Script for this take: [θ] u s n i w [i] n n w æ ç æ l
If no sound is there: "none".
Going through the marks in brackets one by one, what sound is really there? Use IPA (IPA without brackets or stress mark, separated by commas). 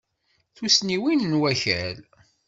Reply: θ, i